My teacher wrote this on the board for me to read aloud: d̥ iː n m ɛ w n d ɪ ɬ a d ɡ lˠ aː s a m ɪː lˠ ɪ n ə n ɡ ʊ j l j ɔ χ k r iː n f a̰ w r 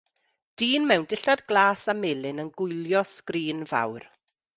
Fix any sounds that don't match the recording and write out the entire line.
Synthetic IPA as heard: d̥ iː n m ɛ w n d ɪ ɬ a d ɡ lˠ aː s a m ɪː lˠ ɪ n ə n ɡ ʊ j l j ɔ s k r iː n v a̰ w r